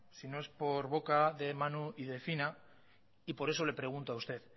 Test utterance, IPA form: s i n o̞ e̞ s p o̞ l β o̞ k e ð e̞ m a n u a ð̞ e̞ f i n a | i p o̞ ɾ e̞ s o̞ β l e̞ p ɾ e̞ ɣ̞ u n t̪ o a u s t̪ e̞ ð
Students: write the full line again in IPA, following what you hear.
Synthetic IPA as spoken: s i n o̞ e̞ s p o̞ ɾ β o̞ k a ð e̞ m a n u i ð̞ e̞ f i n a | i p o̞ ɾ e̞ s o̞ l e̞ p ɾ e̞ ɣ̞ u n t̪ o a u s t̪ e̞ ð